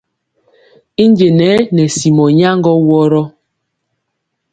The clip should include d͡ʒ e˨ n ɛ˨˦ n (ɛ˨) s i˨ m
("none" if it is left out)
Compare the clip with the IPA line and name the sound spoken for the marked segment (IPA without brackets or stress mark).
ɛ˨